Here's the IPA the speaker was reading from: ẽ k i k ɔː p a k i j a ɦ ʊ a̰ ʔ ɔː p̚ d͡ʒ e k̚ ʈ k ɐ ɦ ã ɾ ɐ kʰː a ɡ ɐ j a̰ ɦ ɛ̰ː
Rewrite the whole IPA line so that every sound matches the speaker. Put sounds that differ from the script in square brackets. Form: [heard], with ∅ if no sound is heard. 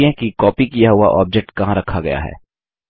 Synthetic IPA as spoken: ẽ k i k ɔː p [i] k i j a ɦ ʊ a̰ ʔ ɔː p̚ d͡ʒ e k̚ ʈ k ɐ ɦ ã ɾ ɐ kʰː a ɡ ɐ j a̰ ɦ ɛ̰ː